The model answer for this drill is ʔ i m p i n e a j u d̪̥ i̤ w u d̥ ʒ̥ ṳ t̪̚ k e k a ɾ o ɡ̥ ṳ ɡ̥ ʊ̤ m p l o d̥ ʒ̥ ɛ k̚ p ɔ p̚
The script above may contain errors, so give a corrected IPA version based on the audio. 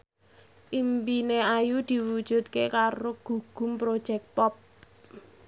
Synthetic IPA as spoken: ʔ i m p i n e a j u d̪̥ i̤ w u d̥ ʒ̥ ṳ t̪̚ k e k a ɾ o ɡ̥ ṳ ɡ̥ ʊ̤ m p ɾ o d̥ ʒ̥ ɛ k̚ p ɔ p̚